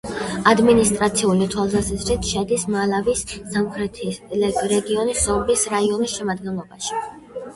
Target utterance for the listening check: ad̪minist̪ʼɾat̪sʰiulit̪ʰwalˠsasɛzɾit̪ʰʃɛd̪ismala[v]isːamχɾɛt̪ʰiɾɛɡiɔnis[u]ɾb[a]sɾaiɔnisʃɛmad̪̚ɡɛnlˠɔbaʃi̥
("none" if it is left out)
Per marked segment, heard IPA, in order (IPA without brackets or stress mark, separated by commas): v, ɔ, i